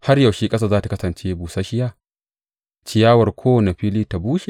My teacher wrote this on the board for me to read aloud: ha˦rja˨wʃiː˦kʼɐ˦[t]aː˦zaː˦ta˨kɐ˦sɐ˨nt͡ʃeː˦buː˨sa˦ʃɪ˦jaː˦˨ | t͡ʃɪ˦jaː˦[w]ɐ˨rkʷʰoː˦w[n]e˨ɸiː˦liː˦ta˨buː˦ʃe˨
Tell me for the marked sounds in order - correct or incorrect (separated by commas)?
incorrect, correct, correct